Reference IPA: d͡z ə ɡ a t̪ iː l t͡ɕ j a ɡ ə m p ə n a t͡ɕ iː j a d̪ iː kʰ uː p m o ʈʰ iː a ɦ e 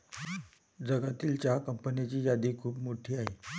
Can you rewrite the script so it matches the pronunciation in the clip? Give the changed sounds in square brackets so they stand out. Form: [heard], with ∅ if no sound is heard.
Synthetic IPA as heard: d͡z ə ɡ a t̪ iː l t͡ɕ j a [k] ə m p ə n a t͡ɕ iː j a d̪ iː kʰ uː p m o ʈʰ iː a ɦ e